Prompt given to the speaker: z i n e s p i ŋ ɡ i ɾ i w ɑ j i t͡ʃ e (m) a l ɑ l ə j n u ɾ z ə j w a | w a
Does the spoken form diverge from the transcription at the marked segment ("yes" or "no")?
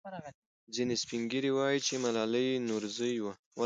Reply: no